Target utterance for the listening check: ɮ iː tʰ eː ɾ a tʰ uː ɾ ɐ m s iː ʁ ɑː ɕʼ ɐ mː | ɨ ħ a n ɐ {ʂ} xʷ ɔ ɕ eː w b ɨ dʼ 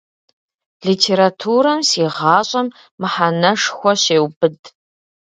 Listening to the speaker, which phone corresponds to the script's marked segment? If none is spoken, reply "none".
ʂ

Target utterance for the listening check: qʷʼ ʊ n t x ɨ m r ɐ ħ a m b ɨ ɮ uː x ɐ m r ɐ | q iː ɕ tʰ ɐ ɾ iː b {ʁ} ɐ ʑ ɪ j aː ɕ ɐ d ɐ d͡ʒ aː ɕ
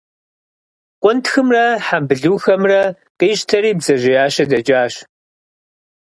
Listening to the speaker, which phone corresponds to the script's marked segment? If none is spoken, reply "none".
z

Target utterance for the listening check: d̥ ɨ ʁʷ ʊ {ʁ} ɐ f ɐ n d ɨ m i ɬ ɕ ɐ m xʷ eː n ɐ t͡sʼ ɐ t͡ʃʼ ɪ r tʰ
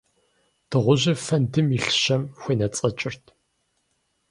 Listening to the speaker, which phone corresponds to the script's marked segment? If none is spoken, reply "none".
ʑ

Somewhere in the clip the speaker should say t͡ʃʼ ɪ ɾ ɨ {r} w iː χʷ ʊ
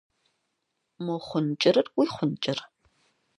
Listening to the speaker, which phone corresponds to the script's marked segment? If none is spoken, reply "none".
r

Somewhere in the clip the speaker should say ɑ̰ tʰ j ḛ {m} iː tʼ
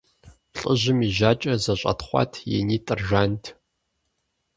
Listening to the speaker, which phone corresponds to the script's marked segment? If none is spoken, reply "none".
n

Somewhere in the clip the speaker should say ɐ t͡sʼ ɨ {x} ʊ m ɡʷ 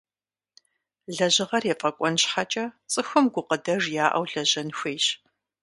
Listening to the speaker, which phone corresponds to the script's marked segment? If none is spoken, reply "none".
x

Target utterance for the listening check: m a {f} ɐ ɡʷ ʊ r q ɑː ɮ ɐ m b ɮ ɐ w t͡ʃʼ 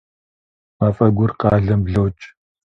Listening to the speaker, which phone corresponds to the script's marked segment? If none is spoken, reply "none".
f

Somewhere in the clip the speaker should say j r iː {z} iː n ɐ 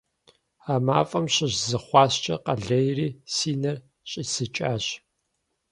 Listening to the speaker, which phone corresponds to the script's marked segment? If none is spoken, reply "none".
s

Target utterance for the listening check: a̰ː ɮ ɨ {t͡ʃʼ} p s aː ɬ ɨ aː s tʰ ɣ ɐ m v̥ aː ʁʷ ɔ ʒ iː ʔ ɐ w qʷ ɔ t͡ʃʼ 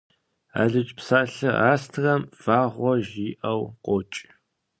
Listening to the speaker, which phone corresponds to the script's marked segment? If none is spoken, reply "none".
t͡ʃʼ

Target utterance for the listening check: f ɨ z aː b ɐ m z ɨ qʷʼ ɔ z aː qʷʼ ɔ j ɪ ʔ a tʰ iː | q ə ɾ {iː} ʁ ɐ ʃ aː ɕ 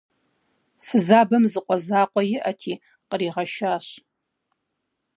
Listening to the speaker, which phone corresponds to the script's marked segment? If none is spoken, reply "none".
iː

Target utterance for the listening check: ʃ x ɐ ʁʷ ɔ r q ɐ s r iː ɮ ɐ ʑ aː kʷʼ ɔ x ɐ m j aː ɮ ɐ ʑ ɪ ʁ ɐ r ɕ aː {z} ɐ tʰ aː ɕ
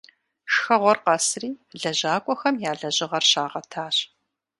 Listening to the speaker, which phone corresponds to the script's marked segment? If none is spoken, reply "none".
ʁ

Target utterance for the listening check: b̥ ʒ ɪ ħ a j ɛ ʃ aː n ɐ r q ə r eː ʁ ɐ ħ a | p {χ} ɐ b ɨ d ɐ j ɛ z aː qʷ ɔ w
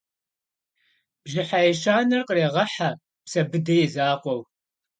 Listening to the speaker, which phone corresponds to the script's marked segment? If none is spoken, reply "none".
s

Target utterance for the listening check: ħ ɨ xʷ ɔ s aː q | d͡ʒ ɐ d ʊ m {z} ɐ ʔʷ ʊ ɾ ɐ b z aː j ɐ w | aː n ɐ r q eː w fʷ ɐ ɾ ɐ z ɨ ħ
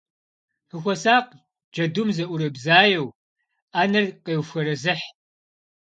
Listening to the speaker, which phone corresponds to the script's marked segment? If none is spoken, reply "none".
z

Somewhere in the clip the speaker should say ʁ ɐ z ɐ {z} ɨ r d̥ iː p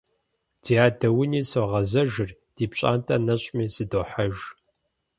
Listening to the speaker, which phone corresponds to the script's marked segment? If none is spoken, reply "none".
ʒ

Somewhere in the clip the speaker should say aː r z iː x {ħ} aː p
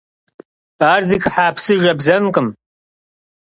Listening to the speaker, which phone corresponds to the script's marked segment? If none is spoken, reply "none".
ħ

